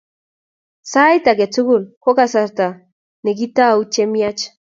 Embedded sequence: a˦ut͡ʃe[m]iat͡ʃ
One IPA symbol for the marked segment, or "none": m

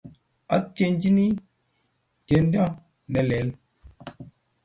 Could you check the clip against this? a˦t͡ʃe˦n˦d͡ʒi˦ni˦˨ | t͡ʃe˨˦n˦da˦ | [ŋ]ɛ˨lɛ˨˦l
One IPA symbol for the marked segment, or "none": n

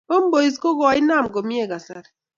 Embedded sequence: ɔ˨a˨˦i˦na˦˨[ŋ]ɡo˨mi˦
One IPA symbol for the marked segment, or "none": m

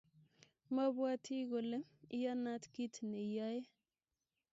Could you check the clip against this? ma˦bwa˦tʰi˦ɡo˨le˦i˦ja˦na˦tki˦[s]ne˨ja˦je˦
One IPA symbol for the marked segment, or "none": t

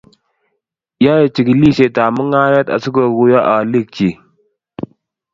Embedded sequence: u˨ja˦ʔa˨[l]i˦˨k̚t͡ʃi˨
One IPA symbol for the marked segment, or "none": l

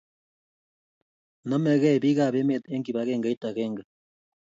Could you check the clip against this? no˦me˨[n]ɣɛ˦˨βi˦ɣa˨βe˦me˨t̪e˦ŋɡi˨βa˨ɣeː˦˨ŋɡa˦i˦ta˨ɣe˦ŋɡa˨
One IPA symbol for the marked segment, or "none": none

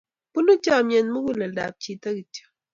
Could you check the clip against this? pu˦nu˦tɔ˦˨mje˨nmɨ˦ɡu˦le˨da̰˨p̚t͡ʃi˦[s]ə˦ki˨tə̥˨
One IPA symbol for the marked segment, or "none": t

